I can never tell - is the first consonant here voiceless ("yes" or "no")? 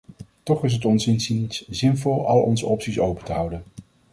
yes